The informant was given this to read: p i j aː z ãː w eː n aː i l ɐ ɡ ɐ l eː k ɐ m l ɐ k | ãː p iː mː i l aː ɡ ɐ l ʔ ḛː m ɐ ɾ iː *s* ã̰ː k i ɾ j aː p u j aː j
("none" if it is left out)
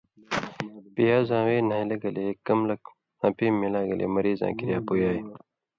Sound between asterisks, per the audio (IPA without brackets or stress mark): z